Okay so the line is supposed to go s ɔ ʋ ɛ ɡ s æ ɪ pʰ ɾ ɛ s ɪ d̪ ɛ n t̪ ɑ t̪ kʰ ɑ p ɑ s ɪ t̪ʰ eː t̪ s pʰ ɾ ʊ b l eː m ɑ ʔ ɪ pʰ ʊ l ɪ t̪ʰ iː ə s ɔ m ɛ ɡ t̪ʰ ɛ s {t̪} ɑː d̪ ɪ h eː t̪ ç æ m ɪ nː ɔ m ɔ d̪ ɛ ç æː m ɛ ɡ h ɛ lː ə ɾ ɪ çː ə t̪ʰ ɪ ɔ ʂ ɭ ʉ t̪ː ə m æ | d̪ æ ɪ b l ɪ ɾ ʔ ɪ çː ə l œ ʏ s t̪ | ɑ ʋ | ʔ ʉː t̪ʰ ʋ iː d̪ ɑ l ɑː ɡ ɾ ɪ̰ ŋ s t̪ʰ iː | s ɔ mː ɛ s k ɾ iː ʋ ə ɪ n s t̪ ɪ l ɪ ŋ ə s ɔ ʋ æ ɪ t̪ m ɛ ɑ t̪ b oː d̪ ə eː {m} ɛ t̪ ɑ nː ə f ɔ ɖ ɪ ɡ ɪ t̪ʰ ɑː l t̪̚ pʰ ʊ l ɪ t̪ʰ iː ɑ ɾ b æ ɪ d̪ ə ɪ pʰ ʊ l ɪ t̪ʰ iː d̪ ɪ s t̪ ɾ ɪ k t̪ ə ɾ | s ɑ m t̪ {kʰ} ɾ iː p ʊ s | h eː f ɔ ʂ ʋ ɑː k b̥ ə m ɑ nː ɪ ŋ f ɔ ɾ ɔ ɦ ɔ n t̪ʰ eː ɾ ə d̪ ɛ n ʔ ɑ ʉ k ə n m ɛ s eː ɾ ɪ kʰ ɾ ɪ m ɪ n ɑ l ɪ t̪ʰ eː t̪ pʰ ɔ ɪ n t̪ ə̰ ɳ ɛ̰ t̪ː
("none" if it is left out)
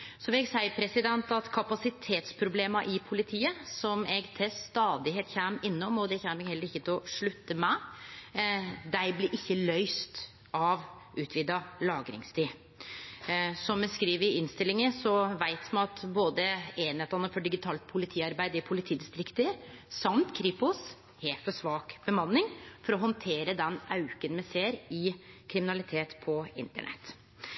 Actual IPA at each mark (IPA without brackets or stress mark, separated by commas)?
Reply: t̪, n, kʰ